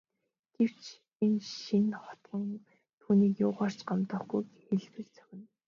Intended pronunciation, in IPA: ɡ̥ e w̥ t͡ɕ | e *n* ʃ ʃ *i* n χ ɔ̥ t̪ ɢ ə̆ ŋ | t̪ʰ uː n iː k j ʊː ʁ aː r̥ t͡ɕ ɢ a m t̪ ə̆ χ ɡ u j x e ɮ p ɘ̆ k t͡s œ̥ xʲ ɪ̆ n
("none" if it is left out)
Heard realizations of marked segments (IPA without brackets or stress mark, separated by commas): n, i